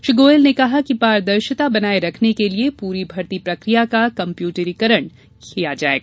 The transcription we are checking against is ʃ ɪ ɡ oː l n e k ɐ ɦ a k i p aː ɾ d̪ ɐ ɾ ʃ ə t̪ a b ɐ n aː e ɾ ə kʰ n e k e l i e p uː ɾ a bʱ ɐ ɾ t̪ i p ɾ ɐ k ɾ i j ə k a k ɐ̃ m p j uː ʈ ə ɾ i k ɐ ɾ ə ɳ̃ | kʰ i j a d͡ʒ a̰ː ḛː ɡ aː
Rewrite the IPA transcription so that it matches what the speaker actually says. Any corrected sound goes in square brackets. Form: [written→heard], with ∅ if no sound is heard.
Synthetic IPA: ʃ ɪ ɡ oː l n e k ɐ ɦ a k i p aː ɾ d̪ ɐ ɾ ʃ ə t̪ a b ɐ n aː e ɾ [ə→ɐ] kʰ n e k e l i e p uː ɾ [a→i] bʱ ɐ ɾ t̪ i p ɾ ɐ k ɾ i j [ə→a] k a k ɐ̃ m p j uː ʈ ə ɾ i k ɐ ɾ ə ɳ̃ | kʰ i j a d͡ʒ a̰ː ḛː ɡ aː